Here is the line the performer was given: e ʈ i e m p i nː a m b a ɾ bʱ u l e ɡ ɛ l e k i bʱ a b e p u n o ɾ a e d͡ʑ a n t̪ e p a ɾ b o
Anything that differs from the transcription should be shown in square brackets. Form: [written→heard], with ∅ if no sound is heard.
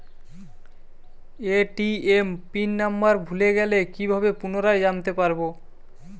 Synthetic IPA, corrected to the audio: e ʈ i e m p i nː a m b a ɾ bʱ u l e ɡ ɛ l e k i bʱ a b e p u n o ɾ a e d͡ʑ a n t̪ e p a ɾ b o